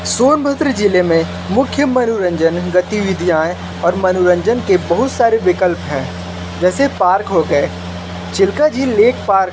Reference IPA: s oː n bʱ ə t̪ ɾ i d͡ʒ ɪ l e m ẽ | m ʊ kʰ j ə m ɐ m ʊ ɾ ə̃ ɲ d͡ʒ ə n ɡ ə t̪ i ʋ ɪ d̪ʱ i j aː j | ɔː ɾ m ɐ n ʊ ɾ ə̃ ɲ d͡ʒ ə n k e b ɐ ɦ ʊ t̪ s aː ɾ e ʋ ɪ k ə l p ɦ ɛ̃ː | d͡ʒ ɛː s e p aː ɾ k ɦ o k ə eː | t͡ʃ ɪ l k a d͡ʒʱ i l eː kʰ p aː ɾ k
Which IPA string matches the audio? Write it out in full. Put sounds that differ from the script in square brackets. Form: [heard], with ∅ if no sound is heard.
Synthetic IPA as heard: s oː n bʱ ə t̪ ɾ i d͡ʒ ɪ l e m ẽ | m ʊ kʰ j ə m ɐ [n] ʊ ɾ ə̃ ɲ d͡ʒ ə n ɡ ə t̪ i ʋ ɪ d̪ʱ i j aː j | ɔː ɾ m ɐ n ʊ ɾ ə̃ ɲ d͡ʒ ə n k e b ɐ ɦ ʊ t̪ s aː ɾ e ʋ ɪ k ə l p ɦ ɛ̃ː | d͡ʒ ɛː s e p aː ɾ k ɦ o [ɡ] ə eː | t͡ʃ ɪ l k a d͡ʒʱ i l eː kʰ p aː ɾ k

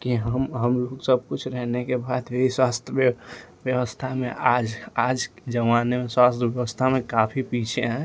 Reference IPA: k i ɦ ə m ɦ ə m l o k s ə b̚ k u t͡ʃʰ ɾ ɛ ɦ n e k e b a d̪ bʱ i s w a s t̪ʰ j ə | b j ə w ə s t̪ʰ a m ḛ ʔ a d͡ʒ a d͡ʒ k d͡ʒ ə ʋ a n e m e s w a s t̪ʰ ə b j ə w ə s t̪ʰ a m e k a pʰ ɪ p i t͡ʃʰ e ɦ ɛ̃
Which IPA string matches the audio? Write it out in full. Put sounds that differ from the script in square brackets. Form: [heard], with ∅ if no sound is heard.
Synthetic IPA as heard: k i ɦ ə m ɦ ə m l o k s ə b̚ k u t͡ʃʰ ɾ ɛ ɦ n e k e b a d̪ bʱ i s w a s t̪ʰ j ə | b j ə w ə s t̪ʰ a m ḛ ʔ a d͡ʒ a d͡ʒ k d͡ʒ ə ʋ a n e m e s w a s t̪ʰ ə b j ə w ə s t̪ʰ a m e k a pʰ [i] p i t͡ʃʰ e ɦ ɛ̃

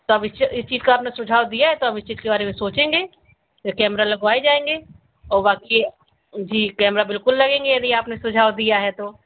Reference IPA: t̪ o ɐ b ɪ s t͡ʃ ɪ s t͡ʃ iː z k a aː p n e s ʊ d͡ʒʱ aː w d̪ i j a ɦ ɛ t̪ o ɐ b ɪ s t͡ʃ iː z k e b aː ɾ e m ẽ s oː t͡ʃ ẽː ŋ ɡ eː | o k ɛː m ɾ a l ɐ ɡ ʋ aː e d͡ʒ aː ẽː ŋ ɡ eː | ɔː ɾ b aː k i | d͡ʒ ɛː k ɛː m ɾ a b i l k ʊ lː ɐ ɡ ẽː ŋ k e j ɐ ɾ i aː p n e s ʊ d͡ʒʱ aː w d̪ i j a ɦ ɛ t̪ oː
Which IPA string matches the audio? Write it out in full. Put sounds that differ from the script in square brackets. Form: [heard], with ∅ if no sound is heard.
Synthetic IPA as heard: t̪ o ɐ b ɪ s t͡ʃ ɪ s t͡ʃ iː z k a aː p n e s ʊ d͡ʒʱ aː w d̪ i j a ɦ ɛ t̪ o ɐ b ɪ s t͡ʃ iː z k e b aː ɾ e m ẽ s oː t͡ʃ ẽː ŋ ɡ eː | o k ɛː m ɾ a l ɐ ɡ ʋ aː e d͡ʒ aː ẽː ŋ ɡ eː | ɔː ɾ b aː k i | d͡ʒ [iː] k ɛː m ɾ a b [ɪ] l k ʊ lː ɐ ɡ ẽː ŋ [ɡ] e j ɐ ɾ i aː p n e s ʊ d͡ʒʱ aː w d̪ i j a ɦ ɛ t̪ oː

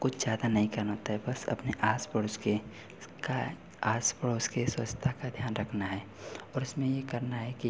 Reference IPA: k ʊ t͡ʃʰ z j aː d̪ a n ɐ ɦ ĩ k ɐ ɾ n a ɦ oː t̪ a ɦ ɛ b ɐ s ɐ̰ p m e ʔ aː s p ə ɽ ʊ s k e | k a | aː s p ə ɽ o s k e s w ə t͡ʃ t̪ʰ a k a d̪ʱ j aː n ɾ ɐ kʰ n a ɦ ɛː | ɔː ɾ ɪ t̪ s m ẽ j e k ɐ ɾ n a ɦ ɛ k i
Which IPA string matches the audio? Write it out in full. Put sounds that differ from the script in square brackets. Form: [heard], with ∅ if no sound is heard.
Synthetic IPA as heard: k ʊ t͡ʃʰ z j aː d̪ a n ɐ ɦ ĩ k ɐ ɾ n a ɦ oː t̪ a ɦ ɛ b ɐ s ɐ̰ p [n] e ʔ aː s p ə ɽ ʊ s k e | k a | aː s p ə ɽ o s k e s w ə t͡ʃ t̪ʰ a k a d̪ʱ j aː n ɾ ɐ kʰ n a ɦ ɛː | ɔː ɾ ɪ [∅] s m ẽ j e k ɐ ɾ n a ɦ ɛ k i

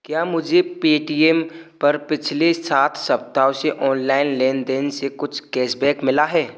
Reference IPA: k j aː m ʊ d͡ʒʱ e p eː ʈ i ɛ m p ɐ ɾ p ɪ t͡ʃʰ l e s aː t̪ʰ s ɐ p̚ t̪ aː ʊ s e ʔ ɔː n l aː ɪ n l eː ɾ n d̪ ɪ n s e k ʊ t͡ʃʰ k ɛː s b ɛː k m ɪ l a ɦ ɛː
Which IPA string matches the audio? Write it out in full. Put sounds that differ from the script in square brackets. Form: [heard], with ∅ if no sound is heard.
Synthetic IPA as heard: k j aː m ʊ d͡ʒʱ e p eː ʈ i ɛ m p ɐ ɾ p ɪ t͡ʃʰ l e s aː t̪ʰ s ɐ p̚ t̪ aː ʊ s e ʔ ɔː n l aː ɪ n l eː [∅] n d̪ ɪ n s e k ʊ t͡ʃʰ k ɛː s b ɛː k m ɪ l a ɦ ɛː

